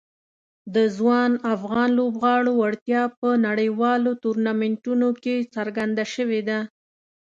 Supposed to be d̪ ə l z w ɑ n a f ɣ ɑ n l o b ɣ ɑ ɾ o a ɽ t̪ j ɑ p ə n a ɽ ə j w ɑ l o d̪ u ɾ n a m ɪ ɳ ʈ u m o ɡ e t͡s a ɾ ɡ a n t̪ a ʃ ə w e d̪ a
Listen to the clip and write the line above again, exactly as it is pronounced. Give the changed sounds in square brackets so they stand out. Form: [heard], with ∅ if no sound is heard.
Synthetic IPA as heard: d̪ ə [∅] z w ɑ n a f ɣ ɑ n l o b ɣ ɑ [ɽ] o a ɽ t̪ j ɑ p ə n a ɽ ə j w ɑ l o [t̪] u ɾ n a m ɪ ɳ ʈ u [n] o [k] e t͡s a ɾ ɡ a n [d̪] a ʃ ə w e d̪ a